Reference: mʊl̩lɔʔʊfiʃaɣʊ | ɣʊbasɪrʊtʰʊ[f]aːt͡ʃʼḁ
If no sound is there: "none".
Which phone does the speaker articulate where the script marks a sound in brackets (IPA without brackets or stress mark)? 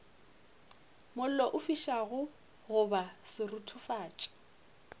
f